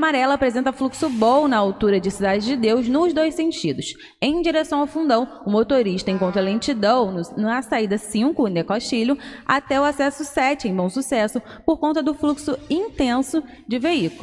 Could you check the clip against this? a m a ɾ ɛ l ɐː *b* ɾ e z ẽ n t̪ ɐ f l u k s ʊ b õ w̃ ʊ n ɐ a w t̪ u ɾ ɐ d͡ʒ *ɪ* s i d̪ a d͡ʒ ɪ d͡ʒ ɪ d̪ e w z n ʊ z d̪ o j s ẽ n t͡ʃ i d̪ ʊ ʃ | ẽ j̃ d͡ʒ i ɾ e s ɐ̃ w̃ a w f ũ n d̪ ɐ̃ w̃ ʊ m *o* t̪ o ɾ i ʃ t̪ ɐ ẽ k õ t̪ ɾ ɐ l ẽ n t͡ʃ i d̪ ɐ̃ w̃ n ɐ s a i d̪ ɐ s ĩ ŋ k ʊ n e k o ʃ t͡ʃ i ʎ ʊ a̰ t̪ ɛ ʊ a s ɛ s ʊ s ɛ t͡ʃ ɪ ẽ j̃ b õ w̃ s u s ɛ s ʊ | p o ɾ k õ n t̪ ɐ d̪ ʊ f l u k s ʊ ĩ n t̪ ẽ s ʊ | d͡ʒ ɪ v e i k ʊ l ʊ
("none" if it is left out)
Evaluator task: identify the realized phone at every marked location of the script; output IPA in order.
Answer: p, ɪ, o

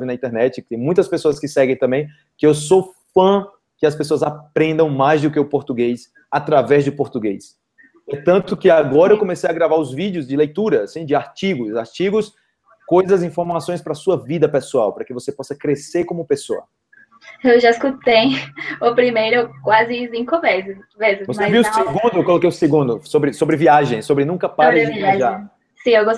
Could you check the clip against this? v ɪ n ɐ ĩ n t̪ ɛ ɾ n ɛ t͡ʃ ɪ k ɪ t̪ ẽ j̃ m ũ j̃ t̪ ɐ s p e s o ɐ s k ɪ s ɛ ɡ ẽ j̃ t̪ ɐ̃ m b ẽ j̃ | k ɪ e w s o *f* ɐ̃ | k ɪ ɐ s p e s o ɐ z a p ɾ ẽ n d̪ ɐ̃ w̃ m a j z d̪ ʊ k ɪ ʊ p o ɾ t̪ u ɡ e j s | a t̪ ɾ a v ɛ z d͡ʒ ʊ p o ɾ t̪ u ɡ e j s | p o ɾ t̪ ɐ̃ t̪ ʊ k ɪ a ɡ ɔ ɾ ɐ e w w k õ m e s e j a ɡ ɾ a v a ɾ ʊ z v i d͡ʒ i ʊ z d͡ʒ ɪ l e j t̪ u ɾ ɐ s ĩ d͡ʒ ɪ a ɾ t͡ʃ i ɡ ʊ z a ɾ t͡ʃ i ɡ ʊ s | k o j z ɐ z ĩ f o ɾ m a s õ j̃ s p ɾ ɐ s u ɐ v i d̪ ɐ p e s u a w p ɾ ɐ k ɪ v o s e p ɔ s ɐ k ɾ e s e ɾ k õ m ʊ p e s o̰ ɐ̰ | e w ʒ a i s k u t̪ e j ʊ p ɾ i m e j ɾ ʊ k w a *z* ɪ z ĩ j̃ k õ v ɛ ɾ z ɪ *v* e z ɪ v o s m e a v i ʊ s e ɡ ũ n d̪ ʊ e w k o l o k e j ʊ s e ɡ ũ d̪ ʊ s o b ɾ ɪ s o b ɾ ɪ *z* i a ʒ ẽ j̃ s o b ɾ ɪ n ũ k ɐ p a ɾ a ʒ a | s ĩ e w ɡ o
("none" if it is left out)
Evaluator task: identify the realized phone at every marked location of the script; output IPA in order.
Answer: f, z, v, v

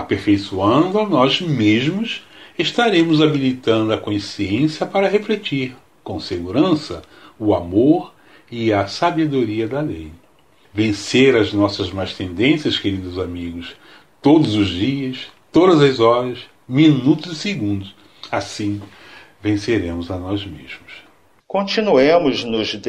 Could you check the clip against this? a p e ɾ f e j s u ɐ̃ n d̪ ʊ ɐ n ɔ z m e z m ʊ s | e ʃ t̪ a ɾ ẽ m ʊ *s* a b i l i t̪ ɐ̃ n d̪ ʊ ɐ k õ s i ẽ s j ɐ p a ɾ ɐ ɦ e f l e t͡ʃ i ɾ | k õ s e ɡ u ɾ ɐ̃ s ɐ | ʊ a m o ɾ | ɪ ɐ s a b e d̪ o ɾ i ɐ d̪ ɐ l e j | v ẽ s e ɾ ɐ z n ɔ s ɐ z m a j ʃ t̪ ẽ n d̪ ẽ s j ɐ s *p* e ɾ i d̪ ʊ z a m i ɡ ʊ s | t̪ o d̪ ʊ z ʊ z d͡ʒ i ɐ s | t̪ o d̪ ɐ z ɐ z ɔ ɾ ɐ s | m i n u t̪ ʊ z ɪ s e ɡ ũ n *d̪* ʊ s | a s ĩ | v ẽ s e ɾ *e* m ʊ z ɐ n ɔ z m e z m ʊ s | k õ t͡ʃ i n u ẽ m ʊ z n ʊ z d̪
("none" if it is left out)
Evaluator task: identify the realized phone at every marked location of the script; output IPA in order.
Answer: z, k, d̪, ẽ

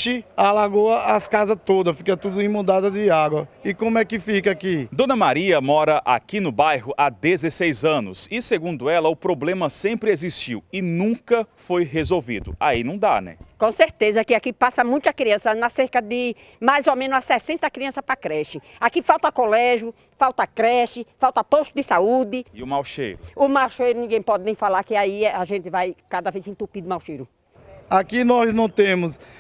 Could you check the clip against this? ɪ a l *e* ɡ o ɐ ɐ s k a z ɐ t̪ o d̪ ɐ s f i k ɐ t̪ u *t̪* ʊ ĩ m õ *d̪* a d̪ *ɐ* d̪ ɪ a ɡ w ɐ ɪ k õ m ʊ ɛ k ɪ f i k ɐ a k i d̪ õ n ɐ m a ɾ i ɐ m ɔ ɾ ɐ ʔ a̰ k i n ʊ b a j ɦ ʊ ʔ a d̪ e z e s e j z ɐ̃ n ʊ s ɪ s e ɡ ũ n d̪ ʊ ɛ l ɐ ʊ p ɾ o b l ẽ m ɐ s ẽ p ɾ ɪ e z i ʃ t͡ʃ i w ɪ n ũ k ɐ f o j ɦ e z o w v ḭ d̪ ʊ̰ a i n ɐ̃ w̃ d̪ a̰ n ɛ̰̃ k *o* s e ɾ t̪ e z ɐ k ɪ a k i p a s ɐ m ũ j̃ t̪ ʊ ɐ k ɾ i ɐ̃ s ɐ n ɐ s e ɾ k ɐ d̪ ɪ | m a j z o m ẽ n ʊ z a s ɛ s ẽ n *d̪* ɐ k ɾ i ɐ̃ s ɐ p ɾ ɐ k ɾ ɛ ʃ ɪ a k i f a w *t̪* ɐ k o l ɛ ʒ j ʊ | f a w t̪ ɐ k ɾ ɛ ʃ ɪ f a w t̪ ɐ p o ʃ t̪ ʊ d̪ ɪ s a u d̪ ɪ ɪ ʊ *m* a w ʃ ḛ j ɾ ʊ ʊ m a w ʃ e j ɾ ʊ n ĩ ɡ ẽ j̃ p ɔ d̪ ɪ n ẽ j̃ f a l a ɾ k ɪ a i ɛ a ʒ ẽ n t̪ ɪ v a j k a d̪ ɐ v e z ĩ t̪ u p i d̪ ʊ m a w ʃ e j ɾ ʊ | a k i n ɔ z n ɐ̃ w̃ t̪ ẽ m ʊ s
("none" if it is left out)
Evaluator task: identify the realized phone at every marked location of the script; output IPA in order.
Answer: a, d̪, d̪, ɐ, õ, t̪, t̪, m

